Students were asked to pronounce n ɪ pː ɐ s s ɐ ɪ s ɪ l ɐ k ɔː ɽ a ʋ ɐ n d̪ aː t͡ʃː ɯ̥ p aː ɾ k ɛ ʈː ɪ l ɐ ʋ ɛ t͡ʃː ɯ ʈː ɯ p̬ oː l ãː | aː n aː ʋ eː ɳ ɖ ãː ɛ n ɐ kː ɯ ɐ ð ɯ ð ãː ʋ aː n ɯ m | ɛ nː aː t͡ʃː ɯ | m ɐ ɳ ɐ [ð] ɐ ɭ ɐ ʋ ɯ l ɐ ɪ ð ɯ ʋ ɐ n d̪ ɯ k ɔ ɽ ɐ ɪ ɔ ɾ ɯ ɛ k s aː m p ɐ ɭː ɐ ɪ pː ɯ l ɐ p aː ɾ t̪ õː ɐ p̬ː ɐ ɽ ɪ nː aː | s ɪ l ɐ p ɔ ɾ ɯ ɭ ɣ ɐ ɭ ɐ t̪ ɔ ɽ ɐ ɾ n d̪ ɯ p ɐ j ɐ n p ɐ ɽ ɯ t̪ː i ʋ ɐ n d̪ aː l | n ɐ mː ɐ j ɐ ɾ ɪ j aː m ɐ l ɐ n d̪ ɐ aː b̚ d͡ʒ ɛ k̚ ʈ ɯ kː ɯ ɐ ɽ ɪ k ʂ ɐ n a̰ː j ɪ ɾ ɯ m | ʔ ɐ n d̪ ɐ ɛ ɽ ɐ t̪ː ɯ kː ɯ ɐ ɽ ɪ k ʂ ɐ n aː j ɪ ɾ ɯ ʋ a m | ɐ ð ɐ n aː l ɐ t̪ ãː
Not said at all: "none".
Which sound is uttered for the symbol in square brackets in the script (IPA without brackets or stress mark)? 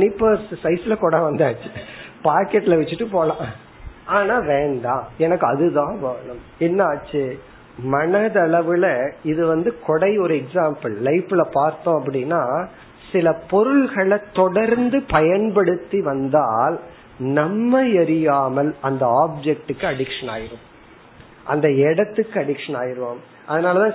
ð